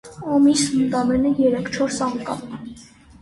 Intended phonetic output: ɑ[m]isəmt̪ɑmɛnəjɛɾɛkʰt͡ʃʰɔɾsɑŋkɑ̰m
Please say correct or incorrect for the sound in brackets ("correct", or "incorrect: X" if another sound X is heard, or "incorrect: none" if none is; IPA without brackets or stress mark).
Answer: correct